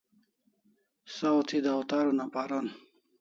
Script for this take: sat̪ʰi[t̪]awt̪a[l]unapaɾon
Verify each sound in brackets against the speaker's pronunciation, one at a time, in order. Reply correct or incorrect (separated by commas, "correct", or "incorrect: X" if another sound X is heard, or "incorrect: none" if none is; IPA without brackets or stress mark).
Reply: incorrect: d̪, incorrect: ɾ